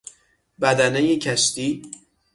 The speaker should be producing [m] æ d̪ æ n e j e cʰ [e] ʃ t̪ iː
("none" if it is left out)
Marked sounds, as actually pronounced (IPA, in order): b, æ

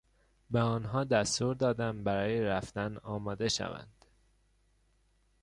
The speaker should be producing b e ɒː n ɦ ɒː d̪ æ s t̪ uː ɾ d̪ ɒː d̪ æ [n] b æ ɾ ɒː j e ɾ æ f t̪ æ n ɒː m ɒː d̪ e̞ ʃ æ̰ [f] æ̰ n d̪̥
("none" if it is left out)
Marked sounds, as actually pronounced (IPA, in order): m, v

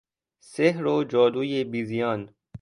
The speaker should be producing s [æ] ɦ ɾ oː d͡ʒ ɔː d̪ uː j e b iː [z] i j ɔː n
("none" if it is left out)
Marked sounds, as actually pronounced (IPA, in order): e, z

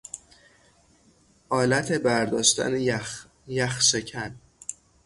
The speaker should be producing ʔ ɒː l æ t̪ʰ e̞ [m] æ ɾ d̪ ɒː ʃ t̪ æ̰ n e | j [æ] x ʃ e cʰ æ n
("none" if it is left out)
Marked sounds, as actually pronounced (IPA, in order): b, æ

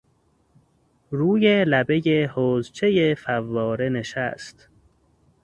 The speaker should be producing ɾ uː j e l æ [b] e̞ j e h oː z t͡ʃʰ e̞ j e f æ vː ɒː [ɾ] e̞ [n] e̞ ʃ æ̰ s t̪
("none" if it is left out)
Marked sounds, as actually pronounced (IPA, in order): b, ɾ, n

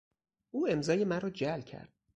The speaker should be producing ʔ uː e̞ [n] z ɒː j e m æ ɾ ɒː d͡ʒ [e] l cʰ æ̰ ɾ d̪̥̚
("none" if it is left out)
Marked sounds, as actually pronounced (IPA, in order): m, æ

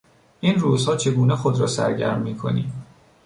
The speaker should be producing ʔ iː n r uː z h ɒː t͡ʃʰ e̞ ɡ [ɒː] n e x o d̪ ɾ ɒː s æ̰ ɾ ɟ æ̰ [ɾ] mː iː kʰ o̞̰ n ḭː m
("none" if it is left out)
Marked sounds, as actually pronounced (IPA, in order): uː, ɾ

